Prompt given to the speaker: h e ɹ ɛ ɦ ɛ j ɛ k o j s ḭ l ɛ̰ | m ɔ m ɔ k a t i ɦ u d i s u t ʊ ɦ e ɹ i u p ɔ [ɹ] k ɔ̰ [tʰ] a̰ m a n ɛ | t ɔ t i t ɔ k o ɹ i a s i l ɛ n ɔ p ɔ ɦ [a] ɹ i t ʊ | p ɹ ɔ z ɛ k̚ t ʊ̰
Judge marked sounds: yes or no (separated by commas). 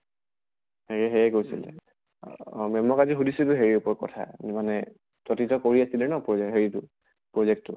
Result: yes, yes, no